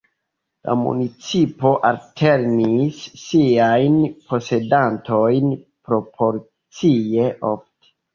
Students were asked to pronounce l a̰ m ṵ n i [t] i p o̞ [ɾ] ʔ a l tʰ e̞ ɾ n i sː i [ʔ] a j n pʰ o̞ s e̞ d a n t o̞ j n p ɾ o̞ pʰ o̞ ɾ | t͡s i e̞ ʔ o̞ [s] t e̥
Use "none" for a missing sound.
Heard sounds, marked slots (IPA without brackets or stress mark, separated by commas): t͡s, none, none, f